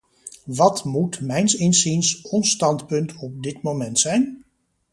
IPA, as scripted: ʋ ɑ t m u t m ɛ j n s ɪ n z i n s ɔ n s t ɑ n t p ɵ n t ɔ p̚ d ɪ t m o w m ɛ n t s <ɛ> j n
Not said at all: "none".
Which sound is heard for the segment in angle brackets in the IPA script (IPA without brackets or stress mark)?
ɛ